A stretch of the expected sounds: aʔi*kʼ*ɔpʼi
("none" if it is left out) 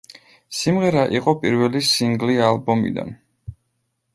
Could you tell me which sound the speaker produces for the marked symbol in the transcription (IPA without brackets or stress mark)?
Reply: qʼ